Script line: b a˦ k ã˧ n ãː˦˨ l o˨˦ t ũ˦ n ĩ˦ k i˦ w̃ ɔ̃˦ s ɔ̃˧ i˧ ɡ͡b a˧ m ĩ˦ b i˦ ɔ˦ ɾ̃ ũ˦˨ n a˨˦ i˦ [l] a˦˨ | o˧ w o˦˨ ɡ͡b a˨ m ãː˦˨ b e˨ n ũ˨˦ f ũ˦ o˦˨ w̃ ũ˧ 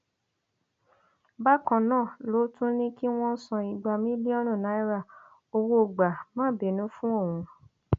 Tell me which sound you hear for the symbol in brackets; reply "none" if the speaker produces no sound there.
ɾ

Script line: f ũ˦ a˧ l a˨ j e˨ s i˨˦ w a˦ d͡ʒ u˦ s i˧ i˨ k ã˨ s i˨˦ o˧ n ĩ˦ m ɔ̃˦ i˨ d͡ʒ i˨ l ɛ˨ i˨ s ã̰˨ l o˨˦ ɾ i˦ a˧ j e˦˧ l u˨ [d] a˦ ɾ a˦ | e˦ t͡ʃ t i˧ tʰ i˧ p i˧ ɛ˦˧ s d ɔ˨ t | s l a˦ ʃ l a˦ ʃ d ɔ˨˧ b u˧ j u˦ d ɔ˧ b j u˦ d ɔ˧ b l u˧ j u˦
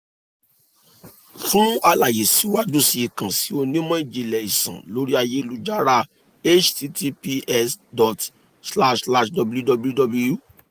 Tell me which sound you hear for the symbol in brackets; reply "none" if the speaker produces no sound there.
d͡ʒ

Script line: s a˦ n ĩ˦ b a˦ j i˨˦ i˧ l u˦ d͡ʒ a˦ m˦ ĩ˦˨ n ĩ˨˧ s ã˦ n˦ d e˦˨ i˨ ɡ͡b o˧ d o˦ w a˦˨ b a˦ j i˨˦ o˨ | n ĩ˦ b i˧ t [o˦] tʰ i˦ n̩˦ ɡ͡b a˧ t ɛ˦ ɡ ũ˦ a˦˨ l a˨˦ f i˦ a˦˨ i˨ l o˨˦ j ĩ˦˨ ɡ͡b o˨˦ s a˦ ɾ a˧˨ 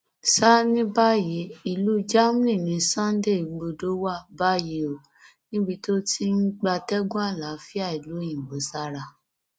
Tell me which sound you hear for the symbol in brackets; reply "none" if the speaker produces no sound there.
o˦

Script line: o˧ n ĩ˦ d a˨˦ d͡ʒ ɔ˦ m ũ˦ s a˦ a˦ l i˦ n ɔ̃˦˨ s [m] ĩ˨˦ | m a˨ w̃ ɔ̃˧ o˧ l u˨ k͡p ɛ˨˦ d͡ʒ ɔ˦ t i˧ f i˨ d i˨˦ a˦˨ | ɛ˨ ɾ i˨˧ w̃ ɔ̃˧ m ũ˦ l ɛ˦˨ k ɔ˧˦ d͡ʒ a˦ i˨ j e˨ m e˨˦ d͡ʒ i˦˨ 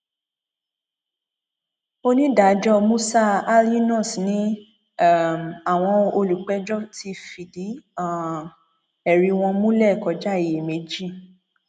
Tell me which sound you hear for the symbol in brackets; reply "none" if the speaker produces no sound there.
n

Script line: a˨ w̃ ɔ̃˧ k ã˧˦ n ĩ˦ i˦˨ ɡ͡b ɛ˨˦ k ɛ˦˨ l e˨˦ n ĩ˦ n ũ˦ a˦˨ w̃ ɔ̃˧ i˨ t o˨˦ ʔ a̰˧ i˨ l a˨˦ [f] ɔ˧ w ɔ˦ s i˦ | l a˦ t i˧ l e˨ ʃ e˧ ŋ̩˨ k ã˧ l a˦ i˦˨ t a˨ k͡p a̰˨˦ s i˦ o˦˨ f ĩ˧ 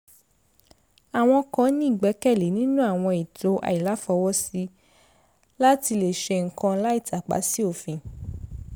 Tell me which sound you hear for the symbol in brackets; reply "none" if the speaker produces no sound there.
f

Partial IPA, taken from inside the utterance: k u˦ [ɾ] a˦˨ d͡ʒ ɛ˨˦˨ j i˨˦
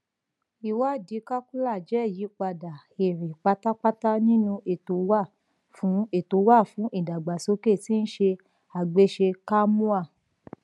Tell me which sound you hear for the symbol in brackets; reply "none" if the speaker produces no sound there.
l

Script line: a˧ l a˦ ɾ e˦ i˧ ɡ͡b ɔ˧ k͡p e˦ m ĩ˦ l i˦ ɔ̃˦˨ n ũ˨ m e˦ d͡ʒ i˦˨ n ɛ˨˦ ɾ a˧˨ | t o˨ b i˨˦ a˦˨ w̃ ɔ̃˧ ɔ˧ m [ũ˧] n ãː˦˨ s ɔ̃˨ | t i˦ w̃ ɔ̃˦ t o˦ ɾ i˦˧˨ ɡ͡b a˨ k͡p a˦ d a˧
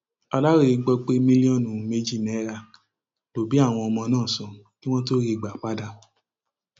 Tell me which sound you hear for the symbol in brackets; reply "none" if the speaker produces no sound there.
ɔ̃˧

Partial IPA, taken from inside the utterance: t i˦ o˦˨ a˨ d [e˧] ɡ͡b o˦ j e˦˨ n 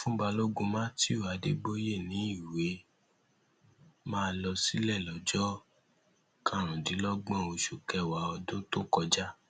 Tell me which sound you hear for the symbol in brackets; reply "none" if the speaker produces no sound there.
e˧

